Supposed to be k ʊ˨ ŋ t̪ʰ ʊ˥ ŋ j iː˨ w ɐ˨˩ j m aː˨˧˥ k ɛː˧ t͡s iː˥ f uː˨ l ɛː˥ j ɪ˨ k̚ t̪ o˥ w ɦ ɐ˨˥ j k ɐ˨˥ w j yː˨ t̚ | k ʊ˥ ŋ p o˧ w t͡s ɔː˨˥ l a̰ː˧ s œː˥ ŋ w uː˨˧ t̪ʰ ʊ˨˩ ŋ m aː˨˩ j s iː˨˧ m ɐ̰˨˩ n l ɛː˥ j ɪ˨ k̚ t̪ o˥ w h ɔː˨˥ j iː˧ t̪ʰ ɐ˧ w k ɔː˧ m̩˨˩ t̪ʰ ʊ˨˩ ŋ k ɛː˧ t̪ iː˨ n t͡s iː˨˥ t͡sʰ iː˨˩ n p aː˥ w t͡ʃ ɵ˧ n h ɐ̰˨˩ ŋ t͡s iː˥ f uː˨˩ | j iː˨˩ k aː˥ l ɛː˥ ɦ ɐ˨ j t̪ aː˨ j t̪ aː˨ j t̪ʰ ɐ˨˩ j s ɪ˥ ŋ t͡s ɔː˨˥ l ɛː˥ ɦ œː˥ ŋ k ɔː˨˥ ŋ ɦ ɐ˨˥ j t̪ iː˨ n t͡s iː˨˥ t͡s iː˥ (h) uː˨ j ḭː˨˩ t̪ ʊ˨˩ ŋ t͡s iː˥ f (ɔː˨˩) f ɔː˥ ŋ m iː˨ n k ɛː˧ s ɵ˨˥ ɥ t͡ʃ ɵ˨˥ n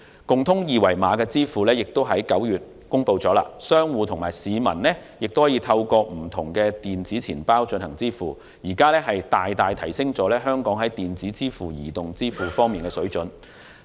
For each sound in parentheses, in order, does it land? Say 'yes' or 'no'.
no, no

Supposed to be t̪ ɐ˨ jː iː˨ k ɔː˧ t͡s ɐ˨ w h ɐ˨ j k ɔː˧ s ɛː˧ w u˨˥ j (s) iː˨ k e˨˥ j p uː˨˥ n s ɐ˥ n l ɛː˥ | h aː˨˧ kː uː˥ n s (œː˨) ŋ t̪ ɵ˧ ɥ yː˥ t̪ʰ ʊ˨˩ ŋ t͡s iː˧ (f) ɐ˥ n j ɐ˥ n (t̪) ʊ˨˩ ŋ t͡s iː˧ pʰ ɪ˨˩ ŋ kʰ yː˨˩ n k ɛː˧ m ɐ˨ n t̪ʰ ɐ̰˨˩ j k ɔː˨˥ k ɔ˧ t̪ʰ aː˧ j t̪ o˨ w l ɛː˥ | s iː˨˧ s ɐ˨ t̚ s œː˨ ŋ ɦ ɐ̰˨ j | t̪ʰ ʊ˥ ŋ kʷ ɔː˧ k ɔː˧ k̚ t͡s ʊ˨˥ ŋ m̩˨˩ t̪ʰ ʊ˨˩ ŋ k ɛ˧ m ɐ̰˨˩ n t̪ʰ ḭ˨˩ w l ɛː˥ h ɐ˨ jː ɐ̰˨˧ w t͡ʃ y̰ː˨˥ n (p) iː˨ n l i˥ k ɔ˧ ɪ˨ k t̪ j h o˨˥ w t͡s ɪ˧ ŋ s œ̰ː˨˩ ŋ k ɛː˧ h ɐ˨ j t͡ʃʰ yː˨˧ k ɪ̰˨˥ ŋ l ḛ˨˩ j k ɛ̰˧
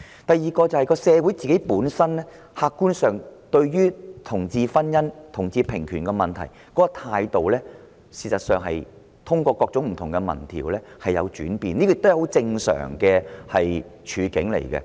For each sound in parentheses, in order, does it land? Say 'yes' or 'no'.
no, yes, yes, no, yes

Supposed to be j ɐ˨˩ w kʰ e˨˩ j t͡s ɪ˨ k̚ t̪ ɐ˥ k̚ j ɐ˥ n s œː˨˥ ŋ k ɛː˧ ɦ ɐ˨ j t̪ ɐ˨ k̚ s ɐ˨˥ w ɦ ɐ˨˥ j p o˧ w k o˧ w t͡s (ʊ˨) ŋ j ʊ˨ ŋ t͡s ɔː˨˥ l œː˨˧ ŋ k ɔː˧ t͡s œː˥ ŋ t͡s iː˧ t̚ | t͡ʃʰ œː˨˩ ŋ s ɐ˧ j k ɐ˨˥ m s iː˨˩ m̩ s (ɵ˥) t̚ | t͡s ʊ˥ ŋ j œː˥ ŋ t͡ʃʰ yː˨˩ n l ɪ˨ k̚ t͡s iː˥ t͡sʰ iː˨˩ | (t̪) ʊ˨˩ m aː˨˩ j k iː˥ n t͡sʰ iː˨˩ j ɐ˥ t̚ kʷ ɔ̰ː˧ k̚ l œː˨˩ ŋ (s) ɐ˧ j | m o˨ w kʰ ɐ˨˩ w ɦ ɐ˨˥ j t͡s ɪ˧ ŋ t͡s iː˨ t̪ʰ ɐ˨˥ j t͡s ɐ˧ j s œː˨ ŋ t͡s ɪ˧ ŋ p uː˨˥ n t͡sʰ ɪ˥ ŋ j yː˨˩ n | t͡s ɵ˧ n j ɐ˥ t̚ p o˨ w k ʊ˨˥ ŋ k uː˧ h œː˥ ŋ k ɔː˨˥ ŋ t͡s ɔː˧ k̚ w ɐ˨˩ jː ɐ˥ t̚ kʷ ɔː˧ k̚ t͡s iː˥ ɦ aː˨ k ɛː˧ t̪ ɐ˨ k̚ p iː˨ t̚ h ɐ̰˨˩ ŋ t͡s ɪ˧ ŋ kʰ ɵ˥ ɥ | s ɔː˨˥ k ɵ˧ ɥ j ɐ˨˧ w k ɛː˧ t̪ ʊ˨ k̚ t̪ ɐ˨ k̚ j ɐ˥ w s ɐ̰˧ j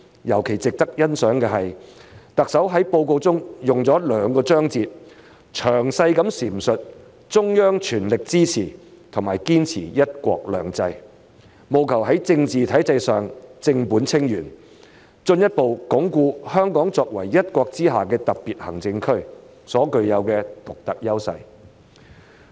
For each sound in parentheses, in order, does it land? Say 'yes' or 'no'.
no, no, no, no

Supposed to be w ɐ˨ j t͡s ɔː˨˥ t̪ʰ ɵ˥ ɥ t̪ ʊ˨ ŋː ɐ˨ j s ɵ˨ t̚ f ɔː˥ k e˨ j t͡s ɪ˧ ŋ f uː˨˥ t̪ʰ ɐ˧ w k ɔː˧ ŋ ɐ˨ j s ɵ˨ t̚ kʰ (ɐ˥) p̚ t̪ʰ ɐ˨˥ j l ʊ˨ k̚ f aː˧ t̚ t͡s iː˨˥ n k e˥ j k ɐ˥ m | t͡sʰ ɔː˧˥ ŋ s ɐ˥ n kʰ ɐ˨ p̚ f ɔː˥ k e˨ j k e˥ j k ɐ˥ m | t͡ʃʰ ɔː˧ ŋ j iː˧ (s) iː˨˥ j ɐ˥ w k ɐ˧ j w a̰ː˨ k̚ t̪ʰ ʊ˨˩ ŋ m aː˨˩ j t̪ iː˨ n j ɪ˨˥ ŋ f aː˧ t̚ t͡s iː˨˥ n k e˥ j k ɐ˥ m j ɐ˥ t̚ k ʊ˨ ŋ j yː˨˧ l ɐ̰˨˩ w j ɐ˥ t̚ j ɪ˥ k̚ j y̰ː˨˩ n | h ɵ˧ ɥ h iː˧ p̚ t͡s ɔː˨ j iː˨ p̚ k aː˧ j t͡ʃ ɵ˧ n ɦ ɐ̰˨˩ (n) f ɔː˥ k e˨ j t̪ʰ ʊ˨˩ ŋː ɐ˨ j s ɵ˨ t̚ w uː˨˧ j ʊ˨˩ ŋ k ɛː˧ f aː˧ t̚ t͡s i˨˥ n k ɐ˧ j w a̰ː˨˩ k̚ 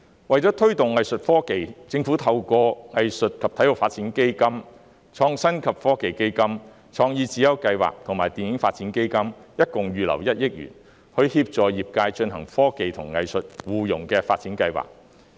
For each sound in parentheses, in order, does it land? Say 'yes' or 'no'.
no, no, no

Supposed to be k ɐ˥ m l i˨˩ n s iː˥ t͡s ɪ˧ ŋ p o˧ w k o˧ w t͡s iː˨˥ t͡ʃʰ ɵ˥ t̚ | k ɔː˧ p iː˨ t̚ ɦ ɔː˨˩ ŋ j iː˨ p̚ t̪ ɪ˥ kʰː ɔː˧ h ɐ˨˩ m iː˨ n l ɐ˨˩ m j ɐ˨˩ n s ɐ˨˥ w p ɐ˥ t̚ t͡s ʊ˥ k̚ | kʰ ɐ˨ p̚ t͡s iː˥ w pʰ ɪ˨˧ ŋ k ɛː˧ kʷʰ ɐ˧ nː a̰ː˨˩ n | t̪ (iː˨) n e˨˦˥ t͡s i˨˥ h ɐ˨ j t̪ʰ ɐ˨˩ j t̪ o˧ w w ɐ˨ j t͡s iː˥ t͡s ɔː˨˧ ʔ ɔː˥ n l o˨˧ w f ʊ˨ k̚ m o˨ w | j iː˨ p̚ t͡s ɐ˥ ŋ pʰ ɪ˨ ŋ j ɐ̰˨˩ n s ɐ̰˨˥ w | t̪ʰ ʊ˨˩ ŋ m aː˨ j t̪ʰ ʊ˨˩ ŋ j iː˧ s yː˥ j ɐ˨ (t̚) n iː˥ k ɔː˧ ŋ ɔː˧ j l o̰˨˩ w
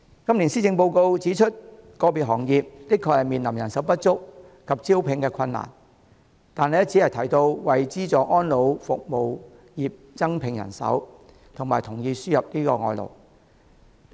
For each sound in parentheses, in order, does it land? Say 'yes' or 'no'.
no, no

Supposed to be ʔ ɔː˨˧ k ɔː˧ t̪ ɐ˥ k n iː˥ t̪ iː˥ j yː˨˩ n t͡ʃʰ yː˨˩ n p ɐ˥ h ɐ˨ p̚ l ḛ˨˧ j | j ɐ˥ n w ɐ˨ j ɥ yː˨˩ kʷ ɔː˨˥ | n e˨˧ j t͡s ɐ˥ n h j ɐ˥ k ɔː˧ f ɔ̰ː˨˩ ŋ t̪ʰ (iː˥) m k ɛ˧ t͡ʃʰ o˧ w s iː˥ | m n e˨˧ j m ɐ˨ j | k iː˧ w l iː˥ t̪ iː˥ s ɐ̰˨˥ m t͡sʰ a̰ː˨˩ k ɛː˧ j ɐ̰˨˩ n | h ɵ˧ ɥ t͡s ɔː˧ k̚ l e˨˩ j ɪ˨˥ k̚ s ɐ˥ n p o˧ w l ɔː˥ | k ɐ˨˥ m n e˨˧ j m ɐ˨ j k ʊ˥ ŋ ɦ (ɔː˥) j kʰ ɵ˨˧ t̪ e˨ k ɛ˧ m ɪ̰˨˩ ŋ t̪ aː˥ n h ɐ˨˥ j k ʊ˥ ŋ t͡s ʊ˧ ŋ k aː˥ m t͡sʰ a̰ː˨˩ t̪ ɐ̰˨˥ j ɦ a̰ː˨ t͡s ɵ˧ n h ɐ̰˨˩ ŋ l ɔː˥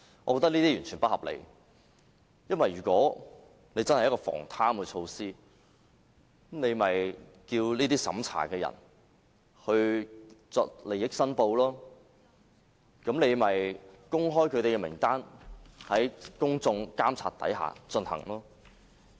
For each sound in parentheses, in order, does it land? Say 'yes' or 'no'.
no, yes

